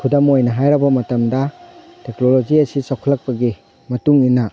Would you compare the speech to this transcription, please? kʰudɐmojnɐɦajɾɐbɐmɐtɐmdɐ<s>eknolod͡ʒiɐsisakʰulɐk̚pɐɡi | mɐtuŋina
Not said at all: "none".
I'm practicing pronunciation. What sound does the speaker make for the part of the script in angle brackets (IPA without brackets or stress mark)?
t